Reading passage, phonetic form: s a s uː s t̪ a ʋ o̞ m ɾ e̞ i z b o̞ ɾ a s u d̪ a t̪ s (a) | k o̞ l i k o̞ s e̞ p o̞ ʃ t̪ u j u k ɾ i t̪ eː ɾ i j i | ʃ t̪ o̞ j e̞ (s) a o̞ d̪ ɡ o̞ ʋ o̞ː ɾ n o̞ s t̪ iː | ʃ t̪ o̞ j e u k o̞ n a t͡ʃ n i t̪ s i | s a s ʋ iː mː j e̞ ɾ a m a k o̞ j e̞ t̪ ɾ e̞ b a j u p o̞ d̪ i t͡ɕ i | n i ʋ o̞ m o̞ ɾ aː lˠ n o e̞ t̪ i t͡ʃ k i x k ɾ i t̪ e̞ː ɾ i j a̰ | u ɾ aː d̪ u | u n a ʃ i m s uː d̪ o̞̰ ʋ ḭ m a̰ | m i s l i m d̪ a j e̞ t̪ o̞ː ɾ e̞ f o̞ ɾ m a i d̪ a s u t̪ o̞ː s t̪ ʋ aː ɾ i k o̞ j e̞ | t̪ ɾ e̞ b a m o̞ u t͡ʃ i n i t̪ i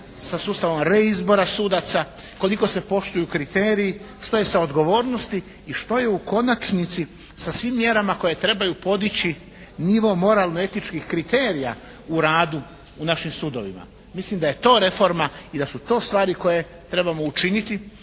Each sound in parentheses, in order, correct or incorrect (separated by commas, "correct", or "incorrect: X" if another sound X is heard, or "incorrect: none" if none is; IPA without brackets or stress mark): correct, correct